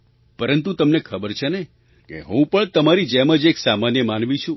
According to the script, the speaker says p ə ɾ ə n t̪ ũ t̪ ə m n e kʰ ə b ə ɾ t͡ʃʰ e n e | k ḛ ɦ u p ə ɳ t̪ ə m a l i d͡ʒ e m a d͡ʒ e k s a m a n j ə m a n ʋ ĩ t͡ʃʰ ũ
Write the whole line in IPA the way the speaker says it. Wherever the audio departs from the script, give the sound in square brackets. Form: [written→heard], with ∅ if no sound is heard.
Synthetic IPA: p ə ɾ ə n t̪ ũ t̪ ə m n e kʰ ə b ə ɾ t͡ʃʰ e n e | k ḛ ɦ [u→ũ] p ə ɳ t̪ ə m a [l→ɾ] i d͡ʒ e m [a→ə] d͡ʒ e k s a m a n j ə m a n ʋ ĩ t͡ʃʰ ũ